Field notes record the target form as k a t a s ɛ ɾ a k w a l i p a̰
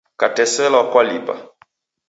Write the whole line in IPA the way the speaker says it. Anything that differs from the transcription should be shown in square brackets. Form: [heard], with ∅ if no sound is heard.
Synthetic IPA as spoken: k a t [ɛ] s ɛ [l] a k w a l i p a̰

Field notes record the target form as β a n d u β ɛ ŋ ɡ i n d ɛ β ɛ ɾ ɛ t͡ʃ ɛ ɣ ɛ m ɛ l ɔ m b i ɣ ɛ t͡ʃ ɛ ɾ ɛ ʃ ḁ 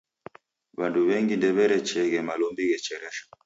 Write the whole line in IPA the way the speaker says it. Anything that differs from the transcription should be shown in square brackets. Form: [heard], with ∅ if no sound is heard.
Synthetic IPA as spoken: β a n d u β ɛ ŋ ɡ i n d ɛ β ɛ ɾ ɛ t͡ʃ ɛ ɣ ɛ m [a] l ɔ m b i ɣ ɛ t͡ʃ ɛ ɾ ɛ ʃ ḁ

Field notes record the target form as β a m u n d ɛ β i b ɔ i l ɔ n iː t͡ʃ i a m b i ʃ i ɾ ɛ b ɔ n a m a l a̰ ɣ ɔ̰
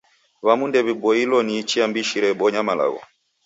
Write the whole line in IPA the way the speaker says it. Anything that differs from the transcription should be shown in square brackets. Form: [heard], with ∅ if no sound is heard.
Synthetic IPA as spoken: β a m u n d ɛ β i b ɔ i l ɔ n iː t͡ʃ i a m b i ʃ i ɾ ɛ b ɔ [ɲ] a m a l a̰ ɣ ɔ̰

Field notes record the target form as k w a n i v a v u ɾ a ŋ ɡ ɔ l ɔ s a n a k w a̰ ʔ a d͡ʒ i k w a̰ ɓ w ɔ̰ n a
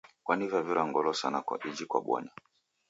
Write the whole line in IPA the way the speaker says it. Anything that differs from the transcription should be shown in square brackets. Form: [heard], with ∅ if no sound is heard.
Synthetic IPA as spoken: k w a n i v a v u ɾ a ŋ ɡ ɔ l ɔ s a n a k w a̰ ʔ [i] d͡ʒ i k w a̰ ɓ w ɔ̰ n a

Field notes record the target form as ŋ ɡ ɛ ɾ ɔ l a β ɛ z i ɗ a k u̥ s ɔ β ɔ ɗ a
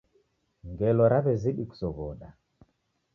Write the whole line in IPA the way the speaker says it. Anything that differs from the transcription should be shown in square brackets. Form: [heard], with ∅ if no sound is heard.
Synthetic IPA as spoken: ŋ ɡ ɛ [l] ɔ [ɾ] a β ɛ z i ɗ [i] k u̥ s ɔ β ɔ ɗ a

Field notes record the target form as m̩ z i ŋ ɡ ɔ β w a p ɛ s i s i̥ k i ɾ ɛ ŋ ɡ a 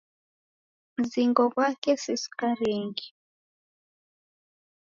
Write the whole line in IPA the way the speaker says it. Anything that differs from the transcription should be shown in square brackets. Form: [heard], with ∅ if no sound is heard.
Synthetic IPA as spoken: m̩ z i ŋ ɡ ɔ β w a [k] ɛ s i s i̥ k [a] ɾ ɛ ŋ ɡ [i]

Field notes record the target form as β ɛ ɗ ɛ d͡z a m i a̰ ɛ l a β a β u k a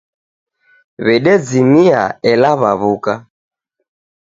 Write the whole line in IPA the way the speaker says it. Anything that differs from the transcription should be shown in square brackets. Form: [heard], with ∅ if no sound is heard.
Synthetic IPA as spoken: β ɛ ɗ ɛ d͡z [i] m i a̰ ɛ l a β a β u k a

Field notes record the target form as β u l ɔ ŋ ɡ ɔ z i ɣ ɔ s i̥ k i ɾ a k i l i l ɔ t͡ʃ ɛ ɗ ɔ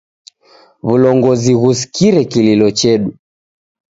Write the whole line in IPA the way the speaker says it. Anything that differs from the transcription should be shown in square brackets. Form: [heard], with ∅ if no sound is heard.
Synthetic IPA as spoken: β u l ɔ ŋ ɡ ɔ z i ɣ [u] s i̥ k i ɾ [ɛ] k i l i l ɔ t͡ʃ ɛ ɗ [u]

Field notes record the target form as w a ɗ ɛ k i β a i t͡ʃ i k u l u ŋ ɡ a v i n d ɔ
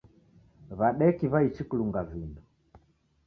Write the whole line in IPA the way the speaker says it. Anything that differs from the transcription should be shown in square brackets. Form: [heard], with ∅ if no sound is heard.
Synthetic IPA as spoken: [β] a ɗ ɛ k i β a i t͡ʃ i k u l u ŋ ɡ a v i n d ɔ

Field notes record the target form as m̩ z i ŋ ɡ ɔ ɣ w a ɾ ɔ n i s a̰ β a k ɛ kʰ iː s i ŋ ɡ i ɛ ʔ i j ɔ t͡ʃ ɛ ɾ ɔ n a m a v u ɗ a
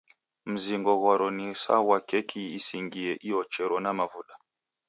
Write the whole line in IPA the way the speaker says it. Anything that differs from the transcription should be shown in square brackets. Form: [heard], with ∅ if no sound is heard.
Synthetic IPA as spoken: m̩ z i ŋ ɡ ɔ ɣ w a ɾ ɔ n i s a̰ [w] a k ɛ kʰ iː s i ŋ ɡ i ɛ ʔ i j ɔ t͡ʃ ɛ ɾ ɔ n a m a v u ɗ a

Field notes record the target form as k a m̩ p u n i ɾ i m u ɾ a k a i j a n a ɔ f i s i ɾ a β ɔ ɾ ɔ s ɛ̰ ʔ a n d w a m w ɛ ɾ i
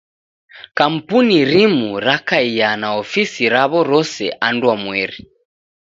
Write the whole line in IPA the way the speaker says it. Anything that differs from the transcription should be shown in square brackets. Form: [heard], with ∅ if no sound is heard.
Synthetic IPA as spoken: k a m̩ p u n i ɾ i m u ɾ a k a i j a n a ɔ f i s i ɾ a β ɔ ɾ ɔ s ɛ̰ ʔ a n d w a m w ɛ ɾ i

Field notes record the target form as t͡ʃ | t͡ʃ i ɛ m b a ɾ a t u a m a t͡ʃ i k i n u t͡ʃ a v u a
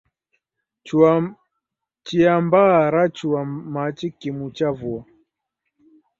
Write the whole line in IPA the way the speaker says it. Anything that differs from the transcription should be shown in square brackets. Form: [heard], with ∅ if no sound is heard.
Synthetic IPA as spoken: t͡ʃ | t͡ʃ i [a] m b a ɾ a [t͡ʃ] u a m a t͡ʃ i k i [m] u t͡ʃ a v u a

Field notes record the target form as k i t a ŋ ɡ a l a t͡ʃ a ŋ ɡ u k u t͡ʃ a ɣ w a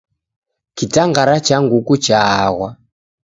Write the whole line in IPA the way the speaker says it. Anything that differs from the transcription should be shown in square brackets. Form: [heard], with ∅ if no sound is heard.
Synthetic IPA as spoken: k i t a ŋ ɡ a [ɾ] a t͡ʃ a ŋ ɡ u k u t͡ʃ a ɣ w a

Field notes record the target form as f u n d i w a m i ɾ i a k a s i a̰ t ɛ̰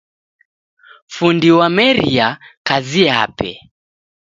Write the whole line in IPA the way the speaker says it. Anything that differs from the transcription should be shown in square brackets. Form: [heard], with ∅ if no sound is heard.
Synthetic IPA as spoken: f u n d i w a m [ɛ] ɾ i a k a [z] i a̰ [p] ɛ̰

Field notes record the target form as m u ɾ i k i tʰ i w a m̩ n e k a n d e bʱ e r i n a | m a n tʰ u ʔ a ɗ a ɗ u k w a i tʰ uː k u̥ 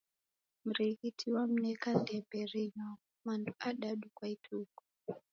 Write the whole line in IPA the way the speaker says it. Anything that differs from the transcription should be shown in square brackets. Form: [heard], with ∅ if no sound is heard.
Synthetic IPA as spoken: m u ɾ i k i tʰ i w a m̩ n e k a n d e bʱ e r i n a | m a n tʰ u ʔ a ɗ a ɗ u k w a i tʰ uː k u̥

